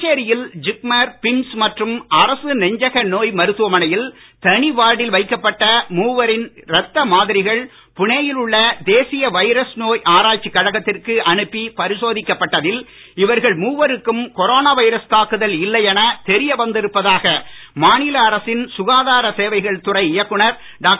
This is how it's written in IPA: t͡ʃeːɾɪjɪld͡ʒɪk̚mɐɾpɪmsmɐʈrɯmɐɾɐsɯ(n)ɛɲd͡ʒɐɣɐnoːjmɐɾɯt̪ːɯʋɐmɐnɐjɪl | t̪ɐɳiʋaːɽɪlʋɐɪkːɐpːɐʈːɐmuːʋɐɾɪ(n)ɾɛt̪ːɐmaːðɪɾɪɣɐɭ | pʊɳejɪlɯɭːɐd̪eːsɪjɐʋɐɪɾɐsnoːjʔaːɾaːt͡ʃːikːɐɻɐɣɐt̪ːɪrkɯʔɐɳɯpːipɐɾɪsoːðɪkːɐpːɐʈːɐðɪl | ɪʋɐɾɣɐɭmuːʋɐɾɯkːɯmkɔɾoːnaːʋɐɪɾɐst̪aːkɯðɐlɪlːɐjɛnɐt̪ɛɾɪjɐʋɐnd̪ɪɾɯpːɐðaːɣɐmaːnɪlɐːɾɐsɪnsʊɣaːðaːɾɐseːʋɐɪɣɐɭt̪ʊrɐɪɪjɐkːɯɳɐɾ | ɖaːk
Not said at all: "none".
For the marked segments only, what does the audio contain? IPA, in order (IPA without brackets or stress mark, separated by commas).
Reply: n, n